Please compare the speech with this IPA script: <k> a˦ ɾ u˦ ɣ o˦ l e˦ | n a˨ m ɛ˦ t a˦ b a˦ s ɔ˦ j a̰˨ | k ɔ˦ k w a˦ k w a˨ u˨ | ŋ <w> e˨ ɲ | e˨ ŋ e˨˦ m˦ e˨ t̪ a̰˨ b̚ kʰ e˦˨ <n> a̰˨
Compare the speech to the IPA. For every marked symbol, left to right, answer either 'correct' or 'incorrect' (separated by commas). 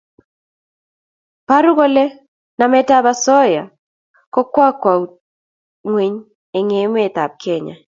incorrect, correct, incorrect